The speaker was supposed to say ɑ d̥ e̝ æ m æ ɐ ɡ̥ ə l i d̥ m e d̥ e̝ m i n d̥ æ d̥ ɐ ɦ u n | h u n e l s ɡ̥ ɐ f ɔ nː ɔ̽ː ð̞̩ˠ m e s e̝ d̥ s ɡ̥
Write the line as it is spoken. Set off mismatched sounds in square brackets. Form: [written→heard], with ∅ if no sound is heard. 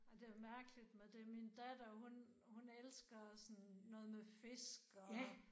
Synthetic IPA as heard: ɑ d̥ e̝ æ m æ ɐ ɡ̥ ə l i d̥ m e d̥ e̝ m i n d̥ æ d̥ ɐ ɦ u n | h u n e l s ɡ̥ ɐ [f→s] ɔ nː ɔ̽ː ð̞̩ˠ m e [s→f] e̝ [d̥→∅] s ɡ̥